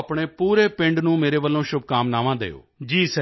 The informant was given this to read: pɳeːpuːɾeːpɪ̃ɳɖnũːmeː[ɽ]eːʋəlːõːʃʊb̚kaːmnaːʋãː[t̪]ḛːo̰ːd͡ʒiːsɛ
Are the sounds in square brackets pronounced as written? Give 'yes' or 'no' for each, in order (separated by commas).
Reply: no, no